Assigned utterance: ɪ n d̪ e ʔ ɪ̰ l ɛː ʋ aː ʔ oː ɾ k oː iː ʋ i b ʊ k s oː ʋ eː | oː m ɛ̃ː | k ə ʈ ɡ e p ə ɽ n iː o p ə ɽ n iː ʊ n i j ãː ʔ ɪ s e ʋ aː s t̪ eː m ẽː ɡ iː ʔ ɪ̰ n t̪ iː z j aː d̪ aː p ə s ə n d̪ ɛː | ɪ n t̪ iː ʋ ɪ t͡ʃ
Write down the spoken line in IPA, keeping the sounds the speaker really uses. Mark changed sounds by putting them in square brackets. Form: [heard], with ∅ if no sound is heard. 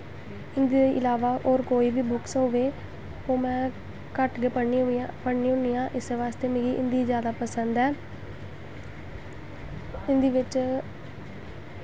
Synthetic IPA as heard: ɪ n d̪ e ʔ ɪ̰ l [aː] ʋ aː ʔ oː ɾ k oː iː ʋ [iː] b ʊ k s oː ʋ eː | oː m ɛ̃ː | k ə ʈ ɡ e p ə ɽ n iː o p ə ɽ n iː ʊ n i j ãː ʔ ɪ s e ʋ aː s t̪ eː m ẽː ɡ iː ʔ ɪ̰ n [d̪] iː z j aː d̪ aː p ə s ə n d̪ ɛː | ɪ n [d̪] iː ʋ ɪ t͡ʃ

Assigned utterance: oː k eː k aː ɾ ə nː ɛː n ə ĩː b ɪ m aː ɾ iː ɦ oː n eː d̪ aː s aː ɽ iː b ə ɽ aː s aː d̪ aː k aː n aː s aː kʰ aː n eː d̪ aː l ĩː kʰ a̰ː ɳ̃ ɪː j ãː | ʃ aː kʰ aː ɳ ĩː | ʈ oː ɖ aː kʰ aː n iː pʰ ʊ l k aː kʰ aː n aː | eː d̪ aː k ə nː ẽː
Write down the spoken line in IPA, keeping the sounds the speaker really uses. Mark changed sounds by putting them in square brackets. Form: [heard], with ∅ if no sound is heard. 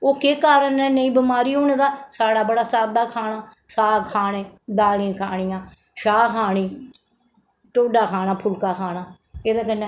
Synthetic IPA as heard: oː k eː k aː ɾ ə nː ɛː n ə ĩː b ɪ m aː ɾ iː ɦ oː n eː d̪ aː s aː ɽ [aː] b ə ɽ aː s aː d̪ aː [kʰ] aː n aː s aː kʰ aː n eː d̪ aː l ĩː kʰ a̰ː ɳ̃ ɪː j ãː | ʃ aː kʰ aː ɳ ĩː | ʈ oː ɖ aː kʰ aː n [aː] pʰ ʊ l k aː kʰ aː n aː | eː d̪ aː k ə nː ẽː

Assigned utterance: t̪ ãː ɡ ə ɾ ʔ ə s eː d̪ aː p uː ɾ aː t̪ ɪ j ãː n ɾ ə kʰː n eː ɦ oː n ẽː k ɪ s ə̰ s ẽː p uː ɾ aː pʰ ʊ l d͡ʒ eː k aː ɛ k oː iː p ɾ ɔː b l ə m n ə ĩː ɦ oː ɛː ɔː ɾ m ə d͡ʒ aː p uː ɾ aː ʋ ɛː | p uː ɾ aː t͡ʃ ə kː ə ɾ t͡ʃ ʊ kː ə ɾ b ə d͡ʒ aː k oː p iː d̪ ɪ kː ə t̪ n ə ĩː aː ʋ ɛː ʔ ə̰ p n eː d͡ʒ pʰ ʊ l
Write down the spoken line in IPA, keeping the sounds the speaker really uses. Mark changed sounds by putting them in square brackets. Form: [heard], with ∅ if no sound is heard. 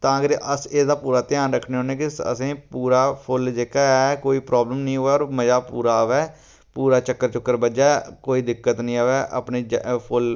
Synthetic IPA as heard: t̪ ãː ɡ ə ɾ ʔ ə s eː d̪ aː p uː ɾ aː t̪ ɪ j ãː n ɾ ə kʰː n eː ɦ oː n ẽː k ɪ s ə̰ s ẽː p uː ɾ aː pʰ ʊ l d͡ʒ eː k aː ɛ k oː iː p ɾ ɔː b l ə m n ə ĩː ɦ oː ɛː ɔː ɾ m ə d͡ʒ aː p uː ɾ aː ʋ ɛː | p uː ɾ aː t͡ʃ ə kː ə ɾ t͡ʃ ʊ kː ə ɾ b ə d͡ʒ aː k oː [∅] iː d̪ ɪ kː ə t̪ n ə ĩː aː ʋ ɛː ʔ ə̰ p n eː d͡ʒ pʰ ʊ l

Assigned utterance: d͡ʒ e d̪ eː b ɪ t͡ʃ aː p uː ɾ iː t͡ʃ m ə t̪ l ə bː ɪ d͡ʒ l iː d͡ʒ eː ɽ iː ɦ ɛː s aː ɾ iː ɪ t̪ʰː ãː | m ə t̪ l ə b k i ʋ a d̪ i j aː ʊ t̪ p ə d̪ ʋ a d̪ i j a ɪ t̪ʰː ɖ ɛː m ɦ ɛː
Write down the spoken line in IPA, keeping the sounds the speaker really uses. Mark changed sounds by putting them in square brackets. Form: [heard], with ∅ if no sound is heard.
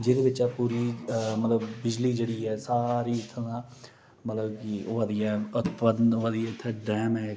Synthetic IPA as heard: d͡ʒ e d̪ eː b ɪ t͡ʃ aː p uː ɾ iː [∅] m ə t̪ l ə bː ɪ d͡ʒ l iː d͡ʒ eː ɽ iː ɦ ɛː s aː ɾ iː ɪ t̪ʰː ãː | m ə t̪ l ə b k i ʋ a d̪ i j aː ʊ t̪ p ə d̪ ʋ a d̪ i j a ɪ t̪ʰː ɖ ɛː m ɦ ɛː

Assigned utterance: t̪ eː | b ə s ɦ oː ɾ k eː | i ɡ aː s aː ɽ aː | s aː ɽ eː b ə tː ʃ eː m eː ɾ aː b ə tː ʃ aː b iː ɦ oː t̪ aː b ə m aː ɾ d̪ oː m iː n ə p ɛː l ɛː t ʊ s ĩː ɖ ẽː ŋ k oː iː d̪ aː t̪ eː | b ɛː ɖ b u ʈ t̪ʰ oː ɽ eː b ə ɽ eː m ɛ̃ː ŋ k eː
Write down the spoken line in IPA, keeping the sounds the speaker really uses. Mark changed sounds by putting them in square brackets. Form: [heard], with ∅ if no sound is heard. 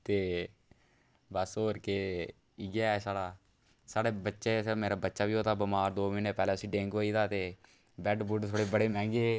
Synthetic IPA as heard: t̪ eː | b ə s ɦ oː ɾ k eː | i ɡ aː s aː ɽ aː | s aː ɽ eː b ə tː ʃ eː m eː ɾ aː b ə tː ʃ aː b iː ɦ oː t̪ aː b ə m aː ɾ d̪ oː m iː n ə p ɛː l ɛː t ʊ s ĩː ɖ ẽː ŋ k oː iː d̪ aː t̪ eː | b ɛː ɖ b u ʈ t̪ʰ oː ɽ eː b ə ɽ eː m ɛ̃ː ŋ [ɡ] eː

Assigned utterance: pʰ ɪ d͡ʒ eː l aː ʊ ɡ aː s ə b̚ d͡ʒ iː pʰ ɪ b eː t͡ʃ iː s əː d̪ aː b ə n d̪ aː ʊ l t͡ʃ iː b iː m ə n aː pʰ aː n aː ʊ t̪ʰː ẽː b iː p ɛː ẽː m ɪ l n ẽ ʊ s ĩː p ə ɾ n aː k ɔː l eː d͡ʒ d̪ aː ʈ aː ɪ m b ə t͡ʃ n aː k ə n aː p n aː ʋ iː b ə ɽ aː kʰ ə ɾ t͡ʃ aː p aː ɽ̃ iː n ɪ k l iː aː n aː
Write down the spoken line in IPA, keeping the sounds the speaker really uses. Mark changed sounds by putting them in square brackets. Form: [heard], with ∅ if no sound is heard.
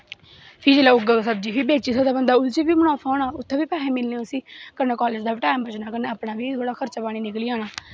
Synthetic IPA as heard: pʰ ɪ d͡ʒ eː l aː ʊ ɡ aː s ə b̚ d͡ʒ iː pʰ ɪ b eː t͡ʃ iː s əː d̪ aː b ə n d̪ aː ʊ l t͡ʃ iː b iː m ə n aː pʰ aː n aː ʊ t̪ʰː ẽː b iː p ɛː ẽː m ɪ l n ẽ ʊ s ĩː [k] ə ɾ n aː k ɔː l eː d͡ʒ d̪ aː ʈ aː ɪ m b ə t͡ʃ n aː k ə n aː p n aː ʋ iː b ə ɽ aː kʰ ə ɾ t͡ʃ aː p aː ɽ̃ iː n ɪ k l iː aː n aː

